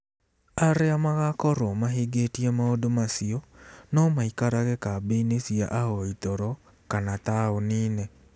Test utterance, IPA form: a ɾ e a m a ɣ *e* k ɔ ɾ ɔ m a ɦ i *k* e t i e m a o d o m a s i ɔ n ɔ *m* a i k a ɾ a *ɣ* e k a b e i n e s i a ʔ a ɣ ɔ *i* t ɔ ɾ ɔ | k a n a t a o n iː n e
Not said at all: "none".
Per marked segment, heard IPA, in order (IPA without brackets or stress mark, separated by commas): a, ɡ, m, ɣ, i